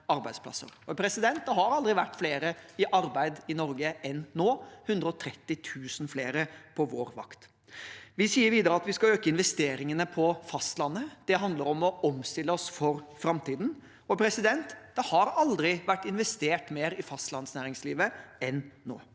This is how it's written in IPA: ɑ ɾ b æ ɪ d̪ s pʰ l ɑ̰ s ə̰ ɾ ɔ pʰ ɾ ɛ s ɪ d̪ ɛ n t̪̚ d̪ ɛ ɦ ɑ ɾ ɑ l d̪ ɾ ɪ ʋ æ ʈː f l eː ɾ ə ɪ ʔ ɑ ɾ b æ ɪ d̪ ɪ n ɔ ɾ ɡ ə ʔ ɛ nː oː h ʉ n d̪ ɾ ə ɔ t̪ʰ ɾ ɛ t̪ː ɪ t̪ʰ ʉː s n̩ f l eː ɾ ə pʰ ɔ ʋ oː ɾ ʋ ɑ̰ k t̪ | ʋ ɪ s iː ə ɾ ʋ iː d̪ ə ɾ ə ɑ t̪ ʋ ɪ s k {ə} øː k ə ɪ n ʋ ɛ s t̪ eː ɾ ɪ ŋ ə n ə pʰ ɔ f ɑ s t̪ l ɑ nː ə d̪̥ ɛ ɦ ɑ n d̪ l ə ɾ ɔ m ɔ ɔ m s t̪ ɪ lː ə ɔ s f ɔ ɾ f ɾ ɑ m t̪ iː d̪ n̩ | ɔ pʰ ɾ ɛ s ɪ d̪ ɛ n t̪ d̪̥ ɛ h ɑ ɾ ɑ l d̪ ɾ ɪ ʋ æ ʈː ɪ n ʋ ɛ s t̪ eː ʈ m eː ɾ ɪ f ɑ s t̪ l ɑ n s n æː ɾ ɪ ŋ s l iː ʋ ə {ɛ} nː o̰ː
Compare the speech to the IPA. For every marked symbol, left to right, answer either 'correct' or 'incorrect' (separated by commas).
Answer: incorrect, correct